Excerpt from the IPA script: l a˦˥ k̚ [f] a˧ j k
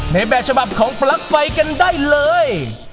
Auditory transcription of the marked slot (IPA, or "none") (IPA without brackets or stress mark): f